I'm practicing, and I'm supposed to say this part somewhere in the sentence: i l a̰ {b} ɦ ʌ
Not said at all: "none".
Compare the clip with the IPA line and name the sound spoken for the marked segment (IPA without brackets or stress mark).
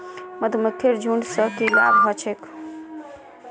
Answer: b